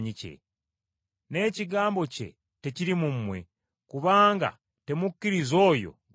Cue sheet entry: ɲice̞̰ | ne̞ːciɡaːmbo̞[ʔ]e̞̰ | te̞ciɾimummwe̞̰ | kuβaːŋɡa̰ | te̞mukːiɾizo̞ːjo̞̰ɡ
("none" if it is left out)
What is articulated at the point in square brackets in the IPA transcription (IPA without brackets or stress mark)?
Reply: c